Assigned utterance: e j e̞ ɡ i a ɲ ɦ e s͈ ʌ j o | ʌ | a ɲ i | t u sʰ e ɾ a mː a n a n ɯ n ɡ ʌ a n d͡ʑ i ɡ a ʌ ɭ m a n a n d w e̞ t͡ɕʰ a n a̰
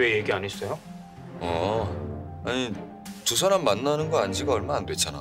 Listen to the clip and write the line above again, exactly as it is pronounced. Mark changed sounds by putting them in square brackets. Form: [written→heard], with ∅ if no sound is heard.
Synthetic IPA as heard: e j e̞ ɡ i a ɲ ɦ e s͈ ʌ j o | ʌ | a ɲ i | t u sʰ [e→a] ɾ a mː a [n→nː] a n ɯ n ɡ ʌ a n d͡ʑ i ɡ a ʌ ɭ m a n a n d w e̞ t͡ɕʰ a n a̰

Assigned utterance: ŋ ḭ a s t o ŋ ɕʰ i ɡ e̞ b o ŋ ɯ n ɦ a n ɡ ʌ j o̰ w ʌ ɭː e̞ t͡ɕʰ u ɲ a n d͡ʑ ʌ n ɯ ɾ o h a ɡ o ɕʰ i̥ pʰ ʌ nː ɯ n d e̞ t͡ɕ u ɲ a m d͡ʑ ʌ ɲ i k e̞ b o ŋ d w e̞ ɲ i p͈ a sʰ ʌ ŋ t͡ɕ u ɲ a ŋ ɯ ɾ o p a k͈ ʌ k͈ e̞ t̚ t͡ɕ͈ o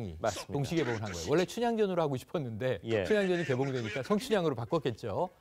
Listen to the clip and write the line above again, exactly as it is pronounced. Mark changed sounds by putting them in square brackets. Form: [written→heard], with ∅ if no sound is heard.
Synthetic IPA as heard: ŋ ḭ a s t o ŋ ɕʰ i ɡ e̞ b o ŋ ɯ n ɦ a n ɡ ʌ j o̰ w ʌ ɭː e̞ t͡ɕʰ u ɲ a [n→ŋ] d͡ʑ ʌ n ɯ ɾ o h a ɡ o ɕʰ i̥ pʰ ʌ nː ɯ n d e̞ [t͡ɕ→t͡ɕʰ] u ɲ a [m→ŋ] d͡ʑ ʌ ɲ i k e̞ b o ŋ d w e̞ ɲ i [p͈→k͈] a sʰ ʌ ŋ [t͡ɕ→t͡ɕʰ] u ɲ a ŋ ɯ ɾ o p a k͈ ʌ k͈ e̞ t̚ t͡ɕ͈ o

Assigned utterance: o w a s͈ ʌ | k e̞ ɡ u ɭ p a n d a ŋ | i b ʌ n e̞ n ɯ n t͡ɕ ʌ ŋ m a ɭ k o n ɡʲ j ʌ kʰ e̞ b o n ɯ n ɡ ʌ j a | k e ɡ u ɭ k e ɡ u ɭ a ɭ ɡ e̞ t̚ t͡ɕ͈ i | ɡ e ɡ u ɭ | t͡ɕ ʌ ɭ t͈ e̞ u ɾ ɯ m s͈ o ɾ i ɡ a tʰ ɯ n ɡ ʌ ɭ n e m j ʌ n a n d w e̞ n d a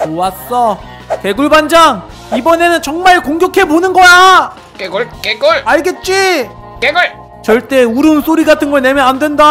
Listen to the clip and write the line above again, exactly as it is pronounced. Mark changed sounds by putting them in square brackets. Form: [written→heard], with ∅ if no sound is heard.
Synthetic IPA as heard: o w a s͈ ʌ | k e̞ ɡ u ɭ [p→b] a n [d→d͡ʑ] a ŋ | i b ʌ n e̞ n ɯ n t͡ɕ ʌ ŋ m a ɭ k o [n→ŋ] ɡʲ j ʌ kʰ e̞ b o n ɯ n ɡ ʌ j a | k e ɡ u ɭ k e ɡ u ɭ a ɭ ɡ e̞ t̚ t͡ɕ͈ i | [ɡ→k] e ɡ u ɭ | t͡ɕ ʌ ɭ t͈ e̞ u ɾ ɯ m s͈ o ɾ i ɡ a tʰ ɯ n ɡ ʌ ɭ n e m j ʌ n a n d w e̞ n d a

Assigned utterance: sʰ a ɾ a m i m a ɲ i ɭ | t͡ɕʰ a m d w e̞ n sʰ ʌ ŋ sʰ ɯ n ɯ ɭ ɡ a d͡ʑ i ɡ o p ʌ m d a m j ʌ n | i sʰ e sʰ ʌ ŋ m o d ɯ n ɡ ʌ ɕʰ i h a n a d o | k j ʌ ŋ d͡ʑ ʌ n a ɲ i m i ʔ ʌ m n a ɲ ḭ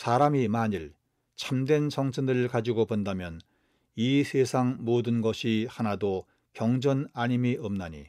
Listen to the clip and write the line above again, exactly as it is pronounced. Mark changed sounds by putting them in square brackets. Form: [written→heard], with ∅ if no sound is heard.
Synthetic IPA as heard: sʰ a ɾ a m i m a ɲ i ɭ | t͡ɕʰ a m d w e̞ n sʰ ʌ ŋ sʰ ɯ n ɯ ɭ [ɡ→k] a d͡ʑ i ɡ o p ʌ [m→n] d a m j ʌ n | i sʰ e sʰ [ʌ→a] ŋ m o d ɯ n ɡ ʌ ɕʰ i h a n a d o | k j ʌ ŋ d͡ʑ ʌ n a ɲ i m i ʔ ʌ m n a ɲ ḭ

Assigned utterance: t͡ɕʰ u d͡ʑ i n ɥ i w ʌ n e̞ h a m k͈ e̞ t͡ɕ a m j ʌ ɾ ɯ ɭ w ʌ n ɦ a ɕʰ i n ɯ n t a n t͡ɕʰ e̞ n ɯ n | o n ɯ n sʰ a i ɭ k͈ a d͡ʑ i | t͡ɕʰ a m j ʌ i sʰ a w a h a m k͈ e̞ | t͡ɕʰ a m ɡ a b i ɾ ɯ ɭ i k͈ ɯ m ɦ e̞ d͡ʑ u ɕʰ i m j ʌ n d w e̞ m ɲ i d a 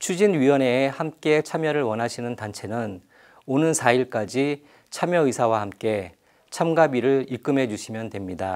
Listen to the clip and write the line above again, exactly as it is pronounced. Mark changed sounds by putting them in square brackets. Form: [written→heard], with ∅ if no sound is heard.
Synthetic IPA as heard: t͡ɕʰ u d͡ʑ i n ɥ i w ʌ n e̞ h a m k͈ e̞ [t͡ɕ→t͡ɕʰ] a m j ʌ ɾ ɯ ɭ w ʌ n ɦ a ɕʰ i n ɯ n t a n t͡ɕʰ e̞ n ɯ n | o n ɯ n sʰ a i ɭ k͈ a d͡ʑ i | t͡ɕʰ a m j ʌ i sʰ a w a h a m k͈ e̞ | t͡ɕʰ a m ɡ a b i ɾ ɯ ɭ i k͈ ɯ m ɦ e̞ d͡ʑ u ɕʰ i m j ʌ n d w e̞ m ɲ i d a

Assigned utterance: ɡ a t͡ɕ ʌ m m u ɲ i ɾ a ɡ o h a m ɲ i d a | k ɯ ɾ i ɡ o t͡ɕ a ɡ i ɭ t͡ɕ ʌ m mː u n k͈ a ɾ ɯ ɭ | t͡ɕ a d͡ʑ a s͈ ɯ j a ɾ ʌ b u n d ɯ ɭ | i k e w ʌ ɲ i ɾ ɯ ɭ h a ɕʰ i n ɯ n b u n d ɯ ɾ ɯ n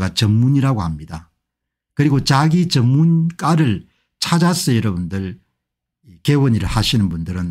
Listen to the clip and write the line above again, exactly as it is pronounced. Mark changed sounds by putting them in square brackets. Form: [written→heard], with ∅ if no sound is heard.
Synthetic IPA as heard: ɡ a t͡ɕ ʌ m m u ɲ i ɾ a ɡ o h a m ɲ i d a | k ɯ ɾ i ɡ o t͡ɕ a ɡ i [ɭ→∅] t͡ɕ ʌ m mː u n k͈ a ɾ ɯ ɭ | [t͡ɕ→t͡ɕʰ] a d͡ʑ a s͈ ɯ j [a→ʌ] ɾ ʌ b u n d ɯ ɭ | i k e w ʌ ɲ i ɾ ɯ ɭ h a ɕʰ i n ɯ n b u n d ɯ ɾ ɯ n

